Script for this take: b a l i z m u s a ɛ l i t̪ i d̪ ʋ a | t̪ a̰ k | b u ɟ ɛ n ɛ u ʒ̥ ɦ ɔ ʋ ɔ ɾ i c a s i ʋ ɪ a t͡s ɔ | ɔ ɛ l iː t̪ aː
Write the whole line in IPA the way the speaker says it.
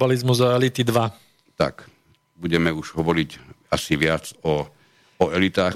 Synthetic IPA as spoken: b a l i z m u z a ɛ l i t̪ i d̪ ʋ a | t̪ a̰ k | b u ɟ ɛ m ɛ u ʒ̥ ɦ ɔ ʋ ɔ ɾ i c a s i ʋ ɪ a t͡s ɔ | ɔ ɛ l i t̪ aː